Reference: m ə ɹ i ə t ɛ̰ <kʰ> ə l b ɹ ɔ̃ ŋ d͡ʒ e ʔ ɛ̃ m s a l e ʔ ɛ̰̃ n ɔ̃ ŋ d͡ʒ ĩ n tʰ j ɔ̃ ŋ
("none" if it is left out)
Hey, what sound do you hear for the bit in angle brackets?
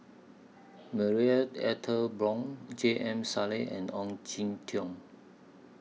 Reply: tʰ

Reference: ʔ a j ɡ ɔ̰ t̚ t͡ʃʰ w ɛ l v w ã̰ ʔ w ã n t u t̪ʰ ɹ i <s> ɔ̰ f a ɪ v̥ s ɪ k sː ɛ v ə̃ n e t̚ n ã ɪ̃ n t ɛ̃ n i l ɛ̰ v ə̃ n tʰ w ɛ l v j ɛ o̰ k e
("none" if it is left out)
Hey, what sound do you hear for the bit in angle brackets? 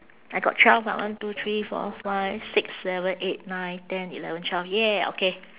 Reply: f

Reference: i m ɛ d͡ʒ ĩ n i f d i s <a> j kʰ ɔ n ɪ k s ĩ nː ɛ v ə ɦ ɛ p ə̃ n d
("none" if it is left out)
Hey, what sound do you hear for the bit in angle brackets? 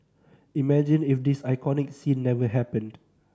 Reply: a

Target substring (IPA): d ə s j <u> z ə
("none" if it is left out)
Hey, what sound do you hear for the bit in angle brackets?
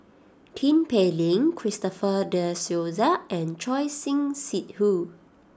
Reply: o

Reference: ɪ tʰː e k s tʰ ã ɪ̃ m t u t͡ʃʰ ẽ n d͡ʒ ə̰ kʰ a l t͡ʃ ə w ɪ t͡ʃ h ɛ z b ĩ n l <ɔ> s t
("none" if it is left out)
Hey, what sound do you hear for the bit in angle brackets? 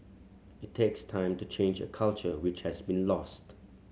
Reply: ɔ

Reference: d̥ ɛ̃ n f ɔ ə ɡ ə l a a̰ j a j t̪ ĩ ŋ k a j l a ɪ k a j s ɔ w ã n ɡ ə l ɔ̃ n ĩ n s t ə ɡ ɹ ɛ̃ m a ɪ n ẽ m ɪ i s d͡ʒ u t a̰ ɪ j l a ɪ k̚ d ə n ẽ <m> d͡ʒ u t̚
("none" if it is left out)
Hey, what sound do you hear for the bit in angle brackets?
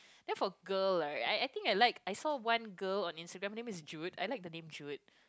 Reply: m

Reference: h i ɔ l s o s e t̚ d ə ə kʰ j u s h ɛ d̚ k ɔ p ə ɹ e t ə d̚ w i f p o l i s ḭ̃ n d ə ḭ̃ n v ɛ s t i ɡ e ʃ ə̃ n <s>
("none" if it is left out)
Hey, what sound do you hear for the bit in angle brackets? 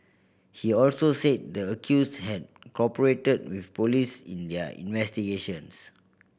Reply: s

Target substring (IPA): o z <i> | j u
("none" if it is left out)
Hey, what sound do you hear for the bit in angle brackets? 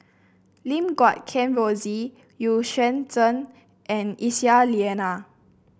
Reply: i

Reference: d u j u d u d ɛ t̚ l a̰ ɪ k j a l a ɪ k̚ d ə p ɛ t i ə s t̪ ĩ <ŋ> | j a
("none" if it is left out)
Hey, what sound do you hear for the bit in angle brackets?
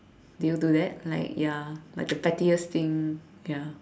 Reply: ŋ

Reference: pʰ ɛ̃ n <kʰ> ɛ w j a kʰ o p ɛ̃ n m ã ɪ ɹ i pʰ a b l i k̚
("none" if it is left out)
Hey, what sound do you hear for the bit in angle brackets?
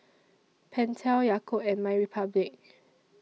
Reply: tʰ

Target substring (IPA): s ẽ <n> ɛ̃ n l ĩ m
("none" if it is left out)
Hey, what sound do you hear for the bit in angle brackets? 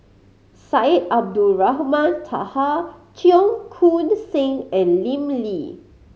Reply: ŋ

